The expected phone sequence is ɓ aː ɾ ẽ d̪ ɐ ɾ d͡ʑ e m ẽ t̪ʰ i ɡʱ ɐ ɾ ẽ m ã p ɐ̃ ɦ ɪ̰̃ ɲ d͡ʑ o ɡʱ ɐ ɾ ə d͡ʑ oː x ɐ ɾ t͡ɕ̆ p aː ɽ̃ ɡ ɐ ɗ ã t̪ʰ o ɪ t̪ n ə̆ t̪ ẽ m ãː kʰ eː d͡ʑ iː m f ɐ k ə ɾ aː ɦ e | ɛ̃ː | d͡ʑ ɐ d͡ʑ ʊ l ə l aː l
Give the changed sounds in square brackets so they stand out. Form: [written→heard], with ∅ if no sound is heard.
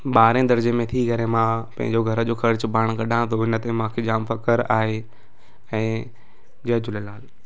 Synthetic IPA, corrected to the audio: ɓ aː ɾ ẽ d̪ ɐ ɾ d͡ʑ e m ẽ t̪ʰ i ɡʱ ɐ ɾ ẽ m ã p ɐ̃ ɦ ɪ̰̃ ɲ d͡ʑ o ɡʱ ɐ ɾ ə d͡ʑ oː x ɐ ɾ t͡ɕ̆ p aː ɽ̃ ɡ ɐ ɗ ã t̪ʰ o ɪ [t̪→∅] n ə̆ t̪ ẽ m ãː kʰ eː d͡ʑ [iː→aː] m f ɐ k ə ɾ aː ɦ e | ɛ̃ː | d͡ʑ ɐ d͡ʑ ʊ l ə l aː l